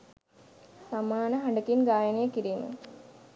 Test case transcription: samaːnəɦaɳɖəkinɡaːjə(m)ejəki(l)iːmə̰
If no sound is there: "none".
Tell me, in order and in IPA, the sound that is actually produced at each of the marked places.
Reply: n, ɾ

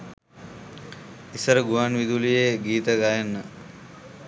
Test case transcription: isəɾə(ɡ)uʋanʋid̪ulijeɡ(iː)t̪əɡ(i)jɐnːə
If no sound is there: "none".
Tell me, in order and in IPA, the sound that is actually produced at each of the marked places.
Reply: ɡ, iː, a

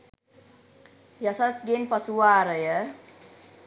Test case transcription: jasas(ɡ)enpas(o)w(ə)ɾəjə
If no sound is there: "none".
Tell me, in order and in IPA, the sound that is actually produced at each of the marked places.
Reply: ɡ, u, a

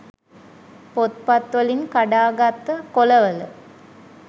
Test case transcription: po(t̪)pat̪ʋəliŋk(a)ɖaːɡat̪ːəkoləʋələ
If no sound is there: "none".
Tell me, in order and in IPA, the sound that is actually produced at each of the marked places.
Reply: t̪, a

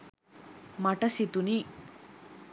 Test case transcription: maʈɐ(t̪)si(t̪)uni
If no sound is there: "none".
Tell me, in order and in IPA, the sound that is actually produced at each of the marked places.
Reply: none, t̪

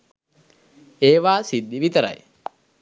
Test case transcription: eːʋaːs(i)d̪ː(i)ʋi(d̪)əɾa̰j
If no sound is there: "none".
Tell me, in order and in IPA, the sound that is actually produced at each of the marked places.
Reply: i, i, t̪

